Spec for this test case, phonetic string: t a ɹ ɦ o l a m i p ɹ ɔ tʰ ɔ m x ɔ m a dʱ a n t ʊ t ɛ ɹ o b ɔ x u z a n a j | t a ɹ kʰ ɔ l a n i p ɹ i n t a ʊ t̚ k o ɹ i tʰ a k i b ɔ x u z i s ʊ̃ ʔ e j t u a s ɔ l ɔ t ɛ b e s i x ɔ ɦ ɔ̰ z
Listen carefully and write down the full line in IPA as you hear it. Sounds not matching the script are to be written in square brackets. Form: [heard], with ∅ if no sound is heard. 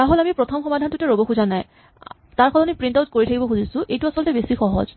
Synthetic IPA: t a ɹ ɦ o l a m i p ɹ ɔ tʰ ɔ m x ɔ m a dʱ a n t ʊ t ɛ ɹ o b ɔ x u z a n a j | t a ɹ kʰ ɔ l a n i p ɹ i n t a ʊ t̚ k o ɹ i tʰ a k i b ɔ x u z i s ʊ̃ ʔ e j t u a s ɔ l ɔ t ɛ b e s i x ɔ ɦ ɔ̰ z